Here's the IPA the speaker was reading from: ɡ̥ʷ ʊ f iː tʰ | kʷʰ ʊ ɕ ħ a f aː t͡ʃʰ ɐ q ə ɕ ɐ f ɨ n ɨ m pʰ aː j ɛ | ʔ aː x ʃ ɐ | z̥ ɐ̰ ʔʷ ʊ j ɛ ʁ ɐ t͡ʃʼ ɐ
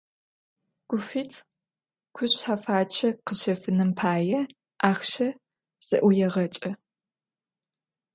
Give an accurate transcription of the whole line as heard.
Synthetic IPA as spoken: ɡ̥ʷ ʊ f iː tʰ | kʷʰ ʊ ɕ ħ a f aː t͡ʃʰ ɐ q ə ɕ ɐ f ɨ n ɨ m pʰ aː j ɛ | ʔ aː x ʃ ɐ | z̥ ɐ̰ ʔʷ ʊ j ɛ ʁ ɐ t͡ʃʼ ɐ